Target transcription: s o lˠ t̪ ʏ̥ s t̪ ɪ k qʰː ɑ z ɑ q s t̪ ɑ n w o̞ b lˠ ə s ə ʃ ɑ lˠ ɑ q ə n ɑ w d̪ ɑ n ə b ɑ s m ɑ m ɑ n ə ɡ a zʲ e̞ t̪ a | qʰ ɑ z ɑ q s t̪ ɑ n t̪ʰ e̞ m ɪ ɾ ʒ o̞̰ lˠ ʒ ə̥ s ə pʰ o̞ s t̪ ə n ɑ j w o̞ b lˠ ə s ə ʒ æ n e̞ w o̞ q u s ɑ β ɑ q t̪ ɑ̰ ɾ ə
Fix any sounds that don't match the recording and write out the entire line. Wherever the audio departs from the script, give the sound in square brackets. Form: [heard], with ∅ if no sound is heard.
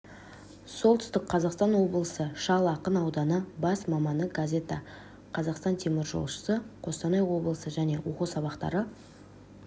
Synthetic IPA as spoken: s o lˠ t̪ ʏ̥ s t̪ ɪ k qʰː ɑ z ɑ q s t̪ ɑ n w o̞ b lˠ ə s ə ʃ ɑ lˠ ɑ q ə n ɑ w d̪ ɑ n ə b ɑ s m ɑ m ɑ n ə ɡ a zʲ e̞ t̪ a | qʰ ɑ z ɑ q s t̪ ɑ n t̪ʰ e̞ m ɪ ɾ ʒ o̞̰ lˠ [ʃ] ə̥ s ə [qʰ] o̞ s t̪ [ɑ] n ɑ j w o̞ b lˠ ə s ə ʒ æ n e̞ w o̞ q u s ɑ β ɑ q t̪ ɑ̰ ɾ ə